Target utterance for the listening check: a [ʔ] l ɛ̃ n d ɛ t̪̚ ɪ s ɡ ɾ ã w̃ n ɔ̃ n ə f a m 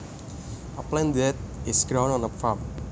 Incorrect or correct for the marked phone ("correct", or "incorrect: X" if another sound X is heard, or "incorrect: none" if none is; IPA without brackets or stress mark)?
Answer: incorrect: p